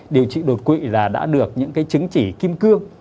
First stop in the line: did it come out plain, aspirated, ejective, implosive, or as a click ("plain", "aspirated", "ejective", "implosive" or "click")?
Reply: implosive